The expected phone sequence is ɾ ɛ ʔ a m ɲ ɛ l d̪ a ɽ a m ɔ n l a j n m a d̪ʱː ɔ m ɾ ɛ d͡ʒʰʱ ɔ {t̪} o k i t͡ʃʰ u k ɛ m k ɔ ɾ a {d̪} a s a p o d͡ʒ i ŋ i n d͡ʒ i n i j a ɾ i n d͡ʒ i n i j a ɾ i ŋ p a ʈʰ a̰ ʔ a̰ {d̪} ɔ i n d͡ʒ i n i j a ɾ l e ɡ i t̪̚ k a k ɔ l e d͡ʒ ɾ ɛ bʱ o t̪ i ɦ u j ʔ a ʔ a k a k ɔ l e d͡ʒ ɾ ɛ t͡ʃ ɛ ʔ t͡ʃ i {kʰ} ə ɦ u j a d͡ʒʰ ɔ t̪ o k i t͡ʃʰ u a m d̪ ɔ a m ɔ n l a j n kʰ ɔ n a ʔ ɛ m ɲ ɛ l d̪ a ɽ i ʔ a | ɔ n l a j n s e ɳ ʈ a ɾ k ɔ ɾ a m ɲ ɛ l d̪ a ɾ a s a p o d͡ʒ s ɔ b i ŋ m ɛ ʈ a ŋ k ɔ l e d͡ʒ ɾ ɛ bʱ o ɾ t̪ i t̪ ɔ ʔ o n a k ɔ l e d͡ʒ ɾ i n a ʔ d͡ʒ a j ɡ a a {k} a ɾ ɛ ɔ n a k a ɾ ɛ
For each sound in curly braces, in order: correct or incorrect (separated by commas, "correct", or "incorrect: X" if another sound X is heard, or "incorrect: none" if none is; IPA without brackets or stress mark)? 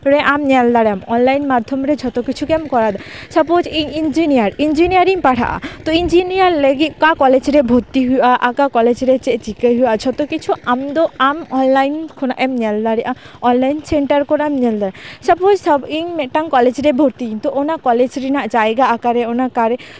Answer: correct, correct, incorrect: t̪, incorrect: k, correct